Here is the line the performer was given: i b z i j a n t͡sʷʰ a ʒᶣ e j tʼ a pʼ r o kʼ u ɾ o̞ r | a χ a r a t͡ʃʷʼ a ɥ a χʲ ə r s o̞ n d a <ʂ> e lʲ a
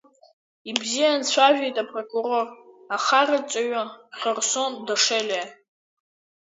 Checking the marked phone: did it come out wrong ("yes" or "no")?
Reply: no